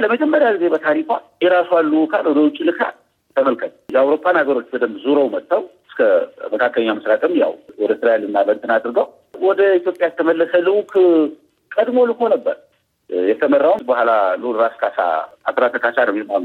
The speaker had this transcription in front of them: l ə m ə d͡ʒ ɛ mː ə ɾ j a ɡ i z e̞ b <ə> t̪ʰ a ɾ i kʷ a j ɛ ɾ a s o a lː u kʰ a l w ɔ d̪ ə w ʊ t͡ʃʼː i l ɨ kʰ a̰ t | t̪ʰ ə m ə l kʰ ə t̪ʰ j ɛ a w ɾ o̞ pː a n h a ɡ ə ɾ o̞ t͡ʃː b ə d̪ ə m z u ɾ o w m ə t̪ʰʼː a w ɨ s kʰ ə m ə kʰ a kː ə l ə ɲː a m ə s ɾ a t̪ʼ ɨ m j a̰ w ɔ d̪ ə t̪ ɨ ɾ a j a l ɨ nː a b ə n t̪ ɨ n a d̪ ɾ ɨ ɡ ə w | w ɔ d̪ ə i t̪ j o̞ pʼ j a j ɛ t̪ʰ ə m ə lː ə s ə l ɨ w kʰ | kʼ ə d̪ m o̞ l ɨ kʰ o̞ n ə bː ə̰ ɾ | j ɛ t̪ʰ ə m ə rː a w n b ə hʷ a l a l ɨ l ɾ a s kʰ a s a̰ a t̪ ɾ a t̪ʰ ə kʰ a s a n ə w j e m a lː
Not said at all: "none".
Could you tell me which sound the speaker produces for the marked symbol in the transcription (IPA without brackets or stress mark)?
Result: ə